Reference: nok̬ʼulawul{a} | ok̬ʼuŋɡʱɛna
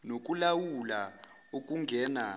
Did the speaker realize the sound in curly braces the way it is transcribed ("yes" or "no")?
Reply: yes